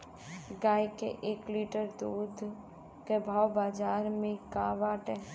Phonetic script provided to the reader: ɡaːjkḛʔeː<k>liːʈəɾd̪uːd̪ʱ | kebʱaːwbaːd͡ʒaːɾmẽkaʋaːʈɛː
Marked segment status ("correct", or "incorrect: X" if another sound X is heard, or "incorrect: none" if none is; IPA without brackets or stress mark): correct